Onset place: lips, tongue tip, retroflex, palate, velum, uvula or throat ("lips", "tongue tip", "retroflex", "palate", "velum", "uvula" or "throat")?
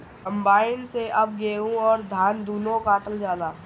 velum